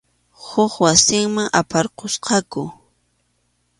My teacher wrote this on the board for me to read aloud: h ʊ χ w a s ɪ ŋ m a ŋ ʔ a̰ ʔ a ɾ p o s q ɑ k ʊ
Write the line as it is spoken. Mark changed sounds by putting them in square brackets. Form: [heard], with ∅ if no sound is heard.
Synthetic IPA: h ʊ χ w a s ɪ ŋ m a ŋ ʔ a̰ [p] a ɾ [q] o s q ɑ k ʊ